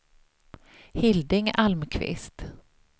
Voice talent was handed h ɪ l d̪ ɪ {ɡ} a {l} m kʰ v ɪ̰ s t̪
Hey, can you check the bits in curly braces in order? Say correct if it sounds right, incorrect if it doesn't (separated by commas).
incorrect, correct